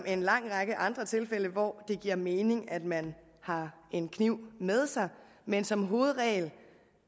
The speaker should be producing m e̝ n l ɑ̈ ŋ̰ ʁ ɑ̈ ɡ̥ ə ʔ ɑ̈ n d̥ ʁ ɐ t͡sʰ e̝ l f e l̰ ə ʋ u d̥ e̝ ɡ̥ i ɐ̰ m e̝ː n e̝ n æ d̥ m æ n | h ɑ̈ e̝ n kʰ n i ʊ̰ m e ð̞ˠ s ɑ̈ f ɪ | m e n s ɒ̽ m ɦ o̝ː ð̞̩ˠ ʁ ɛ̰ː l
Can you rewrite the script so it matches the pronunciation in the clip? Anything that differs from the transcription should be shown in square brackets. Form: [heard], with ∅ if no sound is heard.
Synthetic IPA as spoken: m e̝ n l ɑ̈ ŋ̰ ʁ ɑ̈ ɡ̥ ə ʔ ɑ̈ n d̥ ʁ ɐ t͡sʰ e̝ l f e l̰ ə ʋ [ɒ] d̥ e̝ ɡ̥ i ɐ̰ m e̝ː n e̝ [ŋ] æ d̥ m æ n | h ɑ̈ e̝ n kʰ n i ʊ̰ m e ð̞ˠ s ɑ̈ [∅] ɪ | m e n s ɒ̽ m ɦ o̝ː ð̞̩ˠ ʁ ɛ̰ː l